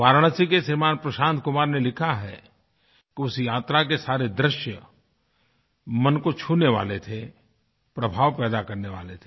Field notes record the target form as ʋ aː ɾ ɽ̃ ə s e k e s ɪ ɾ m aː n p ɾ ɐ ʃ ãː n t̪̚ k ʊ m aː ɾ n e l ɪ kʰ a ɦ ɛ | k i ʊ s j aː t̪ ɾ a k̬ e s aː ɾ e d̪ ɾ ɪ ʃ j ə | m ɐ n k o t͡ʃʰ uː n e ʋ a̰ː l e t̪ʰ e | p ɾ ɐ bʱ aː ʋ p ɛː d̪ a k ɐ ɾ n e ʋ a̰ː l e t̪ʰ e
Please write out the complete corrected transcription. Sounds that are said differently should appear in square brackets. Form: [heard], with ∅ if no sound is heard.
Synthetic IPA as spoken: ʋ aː ɾ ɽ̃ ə s [i] k e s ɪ ɾ m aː n p ɾ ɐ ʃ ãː n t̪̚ k ʊ m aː ɾ n e l ɪ kʰ a ɦ ɛ | k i ʊ s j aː t̪ ɾ a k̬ e s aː ɾ e d̪ ɾ ɪ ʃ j ə | m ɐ n k o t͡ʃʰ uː n e ʋ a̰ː l e t̪ʰ e | p ɾ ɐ bʱ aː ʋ p ɛː d̪ a k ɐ ɾ n e ʋ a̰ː l e t̪ʰ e